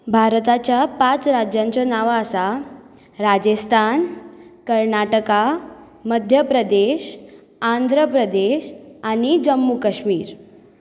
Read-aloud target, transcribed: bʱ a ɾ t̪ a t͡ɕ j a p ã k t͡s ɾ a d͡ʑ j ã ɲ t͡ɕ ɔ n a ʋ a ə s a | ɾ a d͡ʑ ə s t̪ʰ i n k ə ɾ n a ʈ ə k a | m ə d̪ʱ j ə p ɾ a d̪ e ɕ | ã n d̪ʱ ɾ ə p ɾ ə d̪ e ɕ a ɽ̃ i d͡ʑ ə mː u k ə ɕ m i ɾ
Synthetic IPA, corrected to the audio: bʱ a ɾ t̪ a t͡ɕ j a p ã t͡s ɾ a d͡ʑ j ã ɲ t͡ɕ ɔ n a ʋ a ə s a | ɾ a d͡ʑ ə s t̪ʰ a n k ə ɾ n a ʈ ə k a | m ə d̪ʱ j ə p ɾ ə d̪ e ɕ | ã n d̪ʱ ɾ ə p ɾ ə d̪ e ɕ a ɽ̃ i d͡ʑ ə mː u k ə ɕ m iː ɾ